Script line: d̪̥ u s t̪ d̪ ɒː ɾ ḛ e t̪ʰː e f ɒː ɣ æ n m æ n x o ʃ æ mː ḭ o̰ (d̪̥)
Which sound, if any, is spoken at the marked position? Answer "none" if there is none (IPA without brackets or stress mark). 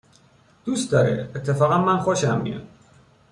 none